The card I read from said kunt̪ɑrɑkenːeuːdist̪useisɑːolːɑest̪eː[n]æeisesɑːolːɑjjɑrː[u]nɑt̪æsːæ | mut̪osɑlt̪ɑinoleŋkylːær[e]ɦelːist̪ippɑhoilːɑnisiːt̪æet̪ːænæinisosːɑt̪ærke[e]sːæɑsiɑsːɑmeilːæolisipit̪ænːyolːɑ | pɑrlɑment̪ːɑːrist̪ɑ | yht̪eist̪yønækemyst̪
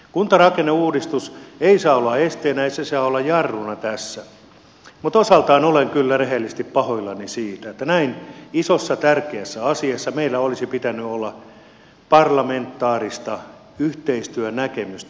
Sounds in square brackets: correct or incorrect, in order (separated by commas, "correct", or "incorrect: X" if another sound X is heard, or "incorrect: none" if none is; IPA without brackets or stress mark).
correct, correct, correct, incorrect: æ